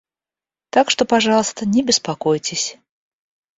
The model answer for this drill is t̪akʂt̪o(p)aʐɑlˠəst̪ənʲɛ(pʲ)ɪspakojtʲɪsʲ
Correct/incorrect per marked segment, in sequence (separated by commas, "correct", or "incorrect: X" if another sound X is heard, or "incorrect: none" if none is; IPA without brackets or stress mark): correct, incorrect: bʲ